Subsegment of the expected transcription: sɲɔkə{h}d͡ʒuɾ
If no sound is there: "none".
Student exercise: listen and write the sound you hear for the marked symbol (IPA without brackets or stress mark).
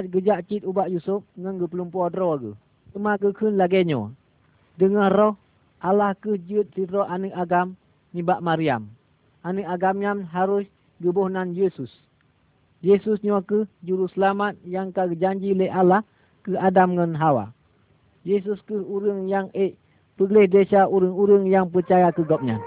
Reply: h